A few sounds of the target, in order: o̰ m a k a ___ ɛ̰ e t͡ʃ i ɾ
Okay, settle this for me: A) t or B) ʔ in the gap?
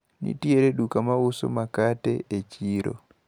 A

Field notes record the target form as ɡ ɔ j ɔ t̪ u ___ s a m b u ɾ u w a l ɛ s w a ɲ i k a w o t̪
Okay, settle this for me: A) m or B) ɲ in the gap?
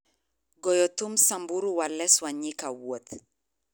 A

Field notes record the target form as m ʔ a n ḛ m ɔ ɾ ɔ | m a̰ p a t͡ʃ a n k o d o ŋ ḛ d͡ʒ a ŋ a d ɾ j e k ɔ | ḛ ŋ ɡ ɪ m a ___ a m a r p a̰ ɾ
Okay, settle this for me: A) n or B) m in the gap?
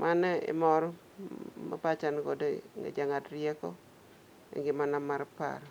A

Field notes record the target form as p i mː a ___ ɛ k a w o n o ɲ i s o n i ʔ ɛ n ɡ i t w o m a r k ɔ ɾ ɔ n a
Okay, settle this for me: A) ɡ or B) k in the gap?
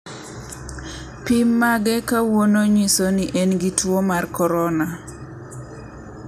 A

